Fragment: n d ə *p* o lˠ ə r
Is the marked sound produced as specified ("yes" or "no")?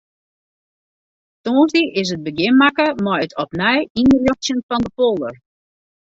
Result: yes